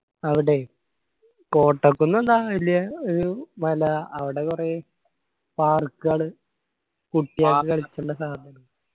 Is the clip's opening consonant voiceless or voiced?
voiced